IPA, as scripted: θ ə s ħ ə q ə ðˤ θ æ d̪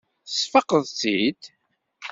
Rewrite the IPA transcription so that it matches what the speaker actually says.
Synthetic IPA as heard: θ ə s f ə q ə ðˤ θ i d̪